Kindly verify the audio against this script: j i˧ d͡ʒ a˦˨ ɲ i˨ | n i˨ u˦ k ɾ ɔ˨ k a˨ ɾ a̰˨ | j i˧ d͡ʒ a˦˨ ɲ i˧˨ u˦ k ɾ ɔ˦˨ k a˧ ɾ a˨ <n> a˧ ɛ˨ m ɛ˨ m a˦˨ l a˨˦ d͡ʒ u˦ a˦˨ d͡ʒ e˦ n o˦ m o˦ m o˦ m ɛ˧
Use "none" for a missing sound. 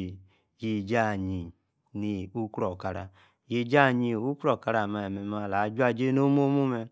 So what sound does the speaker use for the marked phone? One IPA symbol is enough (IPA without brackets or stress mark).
m